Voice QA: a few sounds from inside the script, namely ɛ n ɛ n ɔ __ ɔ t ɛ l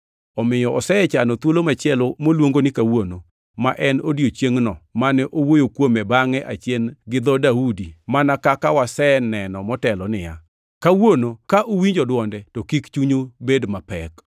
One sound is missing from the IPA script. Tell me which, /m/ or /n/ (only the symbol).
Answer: m